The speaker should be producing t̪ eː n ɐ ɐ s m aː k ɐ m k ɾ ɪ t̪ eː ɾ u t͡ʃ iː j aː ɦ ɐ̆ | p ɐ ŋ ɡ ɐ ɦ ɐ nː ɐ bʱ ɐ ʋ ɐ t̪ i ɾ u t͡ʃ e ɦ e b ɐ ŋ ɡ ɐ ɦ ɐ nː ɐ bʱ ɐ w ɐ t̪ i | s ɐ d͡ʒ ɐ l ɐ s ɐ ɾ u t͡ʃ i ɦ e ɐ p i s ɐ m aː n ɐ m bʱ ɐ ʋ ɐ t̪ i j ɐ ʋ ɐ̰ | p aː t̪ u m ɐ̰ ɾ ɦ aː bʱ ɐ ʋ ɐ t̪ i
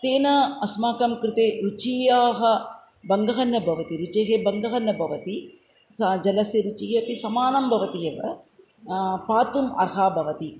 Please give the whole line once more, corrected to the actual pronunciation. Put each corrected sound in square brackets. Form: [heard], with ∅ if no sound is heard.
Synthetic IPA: t̪ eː n ɐ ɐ s m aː k ɐ m k ɾ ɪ t̪ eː ɾ u t͡ʃ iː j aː ɦ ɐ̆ | [b] ɐ ŋ ɡ ɐ ɦ ɐ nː ɐ bʱ ɐ ʋ ɐ t̪ i ɾ u t͡ʃ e ɦ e b ɐ ŋ ɡ ɐ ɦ ɐ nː ɐ bʱ ɐ [ʋ] ɐ t̪ i | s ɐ d͡ʒ ɐ l ɐ s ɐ ɾ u t͡ʃ i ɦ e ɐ p i s ɐ m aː n ɐ m bʱ ɐ ʋ ɐ t̪ i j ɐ ʋ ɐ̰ | p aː t̪ u m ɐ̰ ɾ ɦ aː bʱ ɐ ʋ ɐ t̪ i

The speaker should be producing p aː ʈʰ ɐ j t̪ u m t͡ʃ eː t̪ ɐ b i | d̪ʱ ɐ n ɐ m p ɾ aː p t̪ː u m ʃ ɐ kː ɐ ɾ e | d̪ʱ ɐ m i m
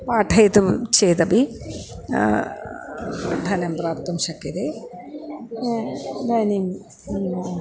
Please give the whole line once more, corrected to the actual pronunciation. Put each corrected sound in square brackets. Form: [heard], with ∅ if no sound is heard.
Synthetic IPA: p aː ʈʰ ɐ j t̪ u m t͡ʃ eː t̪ ɐ b i | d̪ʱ ɐ n ɐ m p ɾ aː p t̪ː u m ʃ ɐ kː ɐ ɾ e | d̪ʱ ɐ [n] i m

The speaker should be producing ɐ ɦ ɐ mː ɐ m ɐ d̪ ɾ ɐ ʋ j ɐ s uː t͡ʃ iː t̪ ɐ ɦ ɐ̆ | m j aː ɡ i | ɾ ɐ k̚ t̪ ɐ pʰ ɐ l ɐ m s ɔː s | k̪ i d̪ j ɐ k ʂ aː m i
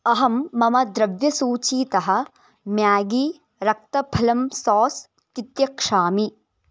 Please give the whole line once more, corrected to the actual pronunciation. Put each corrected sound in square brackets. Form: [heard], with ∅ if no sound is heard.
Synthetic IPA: ɐ ɦ ɐ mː ɐ m ɐ d̪ ɾ ɐ ʋ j ɐ s uː t͡ʃ iː t̪ ɐ ɦ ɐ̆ | m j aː ɡ i | ɾ ɐ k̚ t̪ ɐ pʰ ɐ l ɐ m s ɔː s | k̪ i [t̪] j ɐ k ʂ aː m i

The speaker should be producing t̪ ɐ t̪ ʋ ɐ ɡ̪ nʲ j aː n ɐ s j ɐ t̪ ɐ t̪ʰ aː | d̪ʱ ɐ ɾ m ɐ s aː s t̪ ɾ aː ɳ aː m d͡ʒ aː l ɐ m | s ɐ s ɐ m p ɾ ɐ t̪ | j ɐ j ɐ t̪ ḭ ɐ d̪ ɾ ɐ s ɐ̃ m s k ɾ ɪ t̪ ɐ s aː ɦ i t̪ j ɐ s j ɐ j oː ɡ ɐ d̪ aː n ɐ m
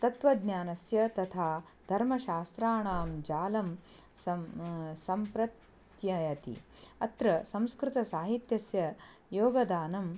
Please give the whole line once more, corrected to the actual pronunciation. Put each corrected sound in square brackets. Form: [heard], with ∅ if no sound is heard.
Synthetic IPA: t̪ ɐ t̪ ʋ ɐ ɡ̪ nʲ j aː n ɐ s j ɐ t̪ ɐ t̪ʰ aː | d̪ʱ ɐ ɾ m ɐ [ʃ] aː s t̪ ɾ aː ɳ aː m d͡ʒ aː l ɐ m | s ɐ s ɐ m p ɾ ɐ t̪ | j ɐ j ɐ t̪ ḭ ɐ [t̪] ɾ ɐ s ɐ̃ m s k ɾ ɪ t̪ ɐ s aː ɦ i t̪ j ɐ s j ɐ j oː ɡ ɐ d̪ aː n ɐ m

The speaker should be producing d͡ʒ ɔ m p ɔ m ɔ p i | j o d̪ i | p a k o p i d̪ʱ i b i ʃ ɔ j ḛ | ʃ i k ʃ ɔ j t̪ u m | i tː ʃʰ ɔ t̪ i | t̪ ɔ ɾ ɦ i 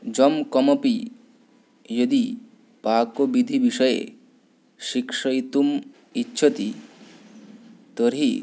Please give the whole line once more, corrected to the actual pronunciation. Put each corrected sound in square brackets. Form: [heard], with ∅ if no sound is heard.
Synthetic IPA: d͡ʒ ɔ m [k] ɔ m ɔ p i | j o d̪ i | p a k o [b] i d̪ʱ i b i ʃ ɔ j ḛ | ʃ i k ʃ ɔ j t̪ u m | i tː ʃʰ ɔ t̪ i | t̪ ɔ ɾ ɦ i

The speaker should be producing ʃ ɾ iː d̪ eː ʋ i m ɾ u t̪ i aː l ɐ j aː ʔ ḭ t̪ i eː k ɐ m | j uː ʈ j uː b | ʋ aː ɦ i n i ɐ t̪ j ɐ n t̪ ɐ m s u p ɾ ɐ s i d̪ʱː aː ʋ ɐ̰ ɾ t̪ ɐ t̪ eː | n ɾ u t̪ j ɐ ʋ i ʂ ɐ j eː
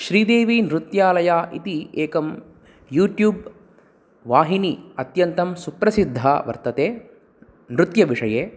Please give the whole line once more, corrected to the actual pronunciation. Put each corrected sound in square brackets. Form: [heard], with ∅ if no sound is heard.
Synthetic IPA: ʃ ɾ iː d̪ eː ʋ i [n] ɾ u t̪ [j] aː l ɐ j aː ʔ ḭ t̪ i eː k ɐ m | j uː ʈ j uː b | ʋ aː ɦ i n i ɐ t̪ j ɐ n t̪ ɐ m s u p ɾ ɐ s i d̪ʱː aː ʋ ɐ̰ ɾ t̪ ɐ t̪ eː | n ɾ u t̪ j ɐ ʋ i ʂ ɐ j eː

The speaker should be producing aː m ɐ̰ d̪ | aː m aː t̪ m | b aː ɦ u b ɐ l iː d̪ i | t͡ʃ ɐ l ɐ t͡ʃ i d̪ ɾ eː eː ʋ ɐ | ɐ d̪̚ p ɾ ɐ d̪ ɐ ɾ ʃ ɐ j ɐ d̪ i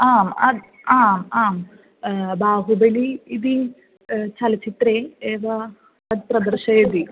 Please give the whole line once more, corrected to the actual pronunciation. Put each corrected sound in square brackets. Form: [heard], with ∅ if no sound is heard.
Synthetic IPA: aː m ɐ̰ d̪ | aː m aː [∅] m | b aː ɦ u b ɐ l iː d̪ i | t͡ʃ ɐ l ɐ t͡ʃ i [t̪] ɾ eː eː ʋ ɐ | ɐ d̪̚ p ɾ ɐ d̪ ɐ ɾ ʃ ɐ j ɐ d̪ i

